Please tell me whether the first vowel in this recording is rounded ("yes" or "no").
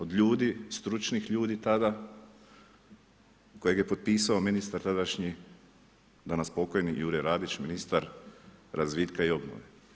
yes